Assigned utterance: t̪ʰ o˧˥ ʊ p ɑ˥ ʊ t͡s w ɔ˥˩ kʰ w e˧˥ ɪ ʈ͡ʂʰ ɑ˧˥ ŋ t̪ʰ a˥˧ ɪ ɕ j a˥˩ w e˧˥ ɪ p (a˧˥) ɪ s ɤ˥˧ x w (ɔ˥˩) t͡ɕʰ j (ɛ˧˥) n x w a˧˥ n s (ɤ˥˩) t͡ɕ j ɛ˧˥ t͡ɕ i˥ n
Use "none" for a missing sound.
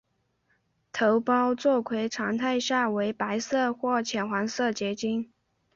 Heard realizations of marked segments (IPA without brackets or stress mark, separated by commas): a˧˥, ɔ˥˩, ɛ˨˩, ɤ˥˩